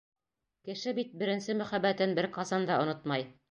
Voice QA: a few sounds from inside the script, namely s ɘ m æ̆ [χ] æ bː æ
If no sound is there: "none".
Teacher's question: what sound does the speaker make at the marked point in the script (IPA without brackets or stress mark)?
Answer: χ